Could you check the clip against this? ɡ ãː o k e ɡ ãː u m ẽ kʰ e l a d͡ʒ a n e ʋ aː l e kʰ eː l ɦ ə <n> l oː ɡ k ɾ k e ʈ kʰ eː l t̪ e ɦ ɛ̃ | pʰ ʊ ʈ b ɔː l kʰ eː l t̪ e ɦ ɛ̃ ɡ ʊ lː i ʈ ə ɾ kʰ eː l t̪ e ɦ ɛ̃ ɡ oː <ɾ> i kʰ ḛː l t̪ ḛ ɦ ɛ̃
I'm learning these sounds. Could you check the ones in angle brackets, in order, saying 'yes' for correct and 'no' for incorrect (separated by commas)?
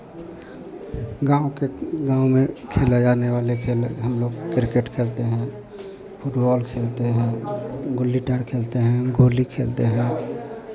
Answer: no, no